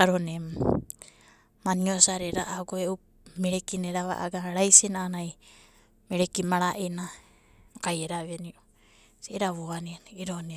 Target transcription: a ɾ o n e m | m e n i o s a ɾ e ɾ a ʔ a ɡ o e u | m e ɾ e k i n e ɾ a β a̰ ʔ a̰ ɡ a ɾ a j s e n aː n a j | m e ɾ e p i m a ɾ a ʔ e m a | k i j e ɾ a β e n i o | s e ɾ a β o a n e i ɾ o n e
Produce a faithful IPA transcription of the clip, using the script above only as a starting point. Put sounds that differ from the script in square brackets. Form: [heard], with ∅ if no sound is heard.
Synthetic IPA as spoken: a ɾ o n e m | m [a] n i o s a ɾ e ɾ a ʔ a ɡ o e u | m e ɾ e k i n e ɾ a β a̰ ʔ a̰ ɡ a ɾ a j s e n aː n a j | m e ɾ e [k] i m a ɾ a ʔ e [n] a | k [a] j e ɾ a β e n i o | s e ɾ a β o a n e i ɾ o n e